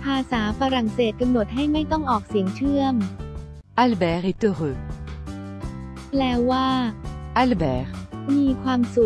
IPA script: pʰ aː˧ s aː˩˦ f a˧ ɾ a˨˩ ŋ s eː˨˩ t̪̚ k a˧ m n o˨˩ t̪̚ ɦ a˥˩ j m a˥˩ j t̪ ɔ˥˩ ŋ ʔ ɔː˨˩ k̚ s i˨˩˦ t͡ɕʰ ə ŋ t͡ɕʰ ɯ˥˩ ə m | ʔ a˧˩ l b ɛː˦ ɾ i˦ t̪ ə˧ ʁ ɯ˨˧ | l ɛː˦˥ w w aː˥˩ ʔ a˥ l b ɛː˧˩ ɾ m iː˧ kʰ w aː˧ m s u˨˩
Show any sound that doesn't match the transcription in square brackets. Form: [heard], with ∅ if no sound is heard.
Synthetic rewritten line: pʰ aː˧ s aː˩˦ f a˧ ɾ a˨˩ ŋ s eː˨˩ t̪̚ k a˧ m n o˨˩ t̪̚ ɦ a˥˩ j m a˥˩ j t̪ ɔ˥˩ ŋ ʔ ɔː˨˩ k̚ s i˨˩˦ [∅] ə ŋ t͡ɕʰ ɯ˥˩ ə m | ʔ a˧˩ l b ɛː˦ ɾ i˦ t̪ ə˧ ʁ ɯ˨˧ | l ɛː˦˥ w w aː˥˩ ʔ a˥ l b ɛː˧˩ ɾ m iː˧ kʰ w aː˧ m s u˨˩

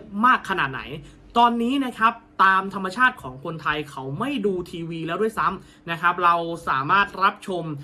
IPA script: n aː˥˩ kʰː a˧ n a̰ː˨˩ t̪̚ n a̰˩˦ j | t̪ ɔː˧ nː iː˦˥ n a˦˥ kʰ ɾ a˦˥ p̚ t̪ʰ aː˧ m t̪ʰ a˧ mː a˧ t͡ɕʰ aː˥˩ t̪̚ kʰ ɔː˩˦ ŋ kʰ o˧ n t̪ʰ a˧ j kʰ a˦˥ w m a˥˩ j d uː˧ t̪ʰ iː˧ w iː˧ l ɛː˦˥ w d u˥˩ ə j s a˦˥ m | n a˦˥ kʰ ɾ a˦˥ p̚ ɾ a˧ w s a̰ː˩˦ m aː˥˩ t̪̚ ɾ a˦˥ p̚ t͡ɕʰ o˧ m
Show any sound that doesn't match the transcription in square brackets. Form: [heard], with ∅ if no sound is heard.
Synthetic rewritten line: [m] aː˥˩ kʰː a˧ n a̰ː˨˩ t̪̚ n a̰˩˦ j | t̪ ɔː˧ nː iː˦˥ n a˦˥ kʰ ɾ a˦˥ p̚ [t̪] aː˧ m t̪ʰ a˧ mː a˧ t͡ɕʰ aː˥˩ t̪̚ kʰ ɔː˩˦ ŋ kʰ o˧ n t̪ʰ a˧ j kʰ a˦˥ w m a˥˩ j d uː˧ t̪ʰ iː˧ w iː˧ l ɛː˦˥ w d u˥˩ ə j s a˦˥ m | n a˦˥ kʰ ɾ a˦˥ p̚ ɾ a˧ w s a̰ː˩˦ m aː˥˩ t̪̚ ɾ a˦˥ p̚ t͡ɕʰ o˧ m

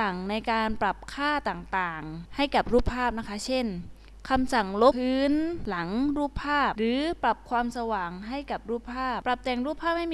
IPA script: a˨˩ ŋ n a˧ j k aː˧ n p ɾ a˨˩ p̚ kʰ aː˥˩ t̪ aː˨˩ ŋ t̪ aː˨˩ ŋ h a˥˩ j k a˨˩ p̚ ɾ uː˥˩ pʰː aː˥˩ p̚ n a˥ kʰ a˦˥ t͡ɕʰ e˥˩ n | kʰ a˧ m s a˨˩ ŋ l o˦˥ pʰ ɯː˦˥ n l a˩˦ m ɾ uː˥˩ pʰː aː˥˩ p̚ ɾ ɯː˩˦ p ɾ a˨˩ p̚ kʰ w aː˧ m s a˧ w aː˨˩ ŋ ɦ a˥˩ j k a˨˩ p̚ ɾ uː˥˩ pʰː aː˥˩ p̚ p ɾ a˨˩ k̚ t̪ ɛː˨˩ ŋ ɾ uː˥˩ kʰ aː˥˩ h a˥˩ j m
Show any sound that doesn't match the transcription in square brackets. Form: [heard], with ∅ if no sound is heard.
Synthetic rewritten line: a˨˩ ŋ n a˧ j k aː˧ n p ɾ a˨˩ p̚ kʰ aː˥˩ t̪ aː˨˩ ŋ t̪ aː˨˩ ŋ h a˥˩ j k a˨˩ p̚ ɾ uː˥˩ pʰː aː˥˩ p̚ n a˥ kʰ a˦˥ t͡ɕʰ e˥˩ n | kʰ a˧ m s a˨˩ ŋ l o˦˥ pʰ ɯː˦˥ n l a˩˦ [ŋ] ɾ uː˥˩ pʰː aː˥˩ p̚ ɾ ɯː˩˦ p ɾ a˨˩ p̚ kʰ w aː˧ m s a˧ w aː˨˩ ŋ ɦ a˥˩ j k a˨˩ p̚ ɾ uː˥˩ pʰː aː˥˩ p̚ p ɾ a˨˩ [p̚] t̪ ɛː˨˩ ŋ ɾ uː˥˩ [pʰ] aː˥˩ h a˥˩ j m

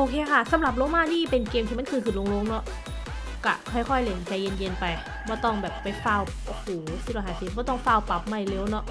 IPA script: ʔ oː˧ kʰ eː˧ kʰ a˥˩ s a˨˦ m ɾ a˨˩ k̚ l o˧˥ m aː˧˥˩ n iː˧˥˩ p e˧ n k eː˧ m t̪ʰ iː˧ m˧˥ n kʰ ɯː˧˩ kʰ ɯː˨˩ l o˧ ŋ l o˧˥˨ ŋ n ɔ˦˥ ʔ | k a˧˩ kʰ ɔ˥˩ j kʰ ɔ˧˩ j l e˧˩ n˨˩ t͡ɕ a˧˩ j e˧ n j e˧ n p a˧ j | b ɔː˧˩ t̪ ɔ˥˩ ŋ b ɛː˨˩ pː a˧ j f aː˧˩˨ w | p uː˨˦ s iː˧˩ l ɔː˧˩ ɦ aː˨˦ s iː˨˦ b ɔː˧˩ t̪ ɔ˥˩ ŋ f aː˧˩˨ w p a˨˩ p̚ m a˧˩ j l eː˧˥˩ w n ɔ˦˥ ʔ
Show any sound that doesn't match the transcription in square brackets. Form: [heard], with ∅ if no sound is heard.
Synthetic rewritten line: ʔ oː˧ kʰ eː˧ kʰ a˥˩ s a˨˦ m ɾ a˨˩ [p̚] l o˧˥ m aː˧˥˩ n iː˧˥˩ p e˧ n k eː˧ m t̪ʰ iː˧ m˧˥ n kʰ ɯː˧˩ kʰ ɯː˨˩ l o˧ ŋ l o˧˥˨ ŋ n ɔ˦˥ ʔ | k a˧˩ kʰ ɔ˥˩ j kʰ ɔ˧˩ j l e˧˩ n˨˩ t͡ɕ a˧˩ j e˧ n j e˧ n p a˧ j | b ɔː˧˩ t̪ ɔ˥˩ ŋ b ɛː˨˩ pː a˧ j f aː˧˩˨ w | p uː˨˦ s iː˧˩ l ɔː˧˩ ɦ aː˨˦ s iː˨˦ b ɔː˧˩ t̪ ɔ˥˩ ŋ f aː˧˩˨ w p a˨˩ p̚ m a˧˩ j l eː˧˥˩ w n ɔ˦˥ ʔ

